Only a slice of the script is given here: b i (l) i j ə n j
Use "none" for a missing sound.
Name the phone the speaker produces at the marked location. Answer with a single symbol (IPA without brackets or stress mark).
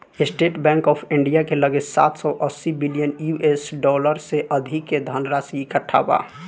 l